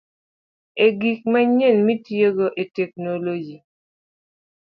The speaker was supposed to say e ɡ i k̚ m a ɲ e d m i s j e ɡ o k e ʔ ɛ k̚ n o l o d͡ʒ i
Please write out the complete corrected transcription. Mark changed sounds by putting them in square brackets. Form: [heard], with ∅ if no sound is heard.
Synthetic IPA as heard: e ɡ i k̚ m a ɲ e [n] m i [t] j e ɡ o [ʔ] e [t] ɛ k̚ n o l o d͡ʒ i